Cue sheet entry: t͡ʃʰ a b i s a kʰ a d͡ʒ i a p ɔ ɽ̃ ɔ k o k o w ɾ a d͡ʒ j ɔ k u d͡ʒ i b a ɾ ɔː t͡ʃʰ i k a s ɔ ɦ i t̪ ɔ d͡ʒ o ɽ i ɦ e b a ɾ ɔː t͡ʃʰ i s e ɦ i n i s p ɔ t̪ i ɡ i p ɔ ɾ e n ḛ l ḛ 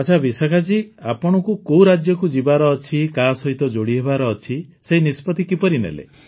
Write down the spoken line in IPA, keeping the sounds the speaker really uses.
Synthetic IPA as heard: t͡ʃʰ a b i s a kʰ a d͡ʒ i a p ɔ ɽ̃ ɔ k u k o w ɾ a d͡ʒ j ɔ k u d͡ʒ i b a ɾ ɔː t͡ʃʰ i k a s ɔ ɦ i t̪ ɔ d͡ʒ o ɽ i ɦ e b a ɾ ɔː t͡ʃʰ i s e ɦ i n i s p ɔ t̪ i k i p ɔ ɾ i n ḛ l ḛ